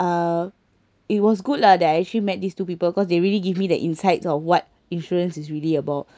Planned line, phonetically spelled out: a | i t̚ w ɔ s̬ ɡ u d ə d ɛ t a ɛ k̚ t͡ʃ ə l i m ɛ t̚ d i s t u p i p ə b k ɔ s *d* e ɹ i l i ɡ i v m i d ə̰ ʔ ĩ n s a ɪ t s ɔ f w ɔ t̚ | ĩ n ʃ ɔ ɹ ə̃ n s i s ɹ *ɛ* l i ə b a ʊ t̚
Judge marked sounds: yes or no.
yes, no

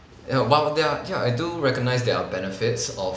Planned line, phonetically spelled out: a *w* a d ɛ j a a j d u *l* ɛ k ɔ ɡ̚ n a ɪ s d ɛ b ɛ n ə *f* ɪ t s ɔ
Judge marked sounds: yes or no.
yes, no, yes

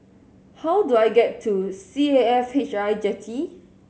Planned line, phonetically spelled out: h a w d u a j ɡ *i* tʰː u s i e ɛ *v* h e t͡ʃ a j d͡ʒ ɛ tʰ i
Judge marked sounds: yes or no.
no, no

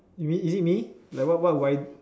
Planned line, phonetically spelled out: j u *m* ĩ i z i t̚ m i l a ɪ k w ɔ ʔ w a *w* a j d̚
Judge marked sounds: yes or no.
yes, yes

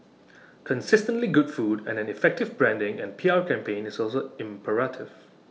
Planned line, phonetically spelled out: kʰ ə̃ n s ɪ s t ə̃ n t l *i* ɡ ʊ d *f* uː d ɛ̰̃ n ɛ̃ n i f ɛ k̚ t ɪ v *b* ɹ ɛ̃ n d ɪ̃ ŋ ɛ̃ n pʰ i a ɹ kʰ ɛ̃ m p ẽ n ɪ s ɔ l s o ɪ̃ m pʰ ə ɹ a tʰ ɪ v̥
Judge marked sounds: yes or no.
yes, yes, yes

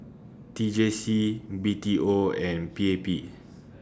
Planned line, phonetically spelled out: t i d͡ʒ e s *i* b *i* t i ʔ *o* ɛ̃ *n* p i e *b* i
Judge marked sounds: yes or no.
yes, yes, yes, yes, no

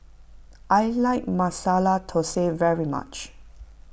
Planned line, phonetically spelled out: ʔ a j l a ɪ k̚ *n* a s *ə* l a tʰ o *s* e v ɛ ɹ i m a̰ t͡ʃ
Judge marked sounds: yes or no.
no, no, yes

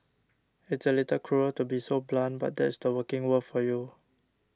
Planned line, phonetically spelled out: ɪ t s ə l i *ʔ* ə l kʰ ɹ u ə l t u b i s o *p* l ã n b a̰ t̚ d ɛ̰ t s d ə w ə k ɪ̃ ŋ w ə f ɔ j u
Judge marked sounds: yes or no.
no, no

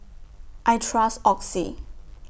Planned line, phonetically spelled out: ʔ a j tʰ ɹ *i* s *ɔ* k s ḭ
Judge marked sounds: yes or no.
no, yes

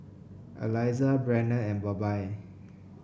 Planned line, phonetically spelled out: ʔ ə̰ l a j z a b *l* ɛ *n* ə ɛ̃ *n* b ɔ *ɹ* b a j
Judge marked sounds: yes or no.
no, yes, yes, no

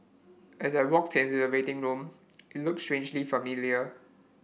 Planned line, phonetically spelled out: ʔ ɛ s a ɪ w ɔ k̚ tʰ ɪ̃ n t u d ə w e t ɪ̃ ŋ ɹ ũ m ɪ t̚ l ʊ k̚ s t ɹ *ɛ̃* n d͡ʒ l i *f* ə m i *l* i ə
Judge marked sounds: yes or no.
no, yes, yes

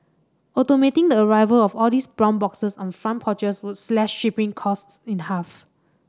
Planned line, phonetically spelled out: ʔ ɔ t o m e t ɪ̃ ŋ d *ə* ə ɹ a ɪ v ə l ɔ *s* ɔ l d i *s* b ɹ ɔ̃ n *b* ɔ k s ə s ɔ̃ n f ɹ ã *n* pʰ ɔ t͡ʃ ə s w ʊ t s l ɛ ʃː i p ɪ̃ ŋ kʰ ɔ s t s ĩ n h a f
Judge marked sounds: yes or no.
yes, no, yes, yes, yes

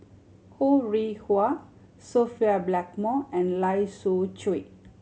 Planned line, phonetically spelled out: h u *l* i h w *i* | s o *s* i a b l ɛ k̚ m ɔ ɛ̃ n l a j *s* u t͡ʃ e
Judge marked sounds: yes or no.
no, no, no, yes

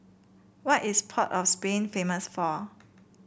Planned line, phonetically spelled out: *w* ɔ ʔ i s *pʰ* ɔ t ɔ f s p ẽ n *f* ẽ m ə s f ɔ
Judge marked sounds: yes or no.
yes, yes, yes

